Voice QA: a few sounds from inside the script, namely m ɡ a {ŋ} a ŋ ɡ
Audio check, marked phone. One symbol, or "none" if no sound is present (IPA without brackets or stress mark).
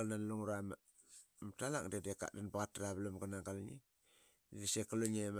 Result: n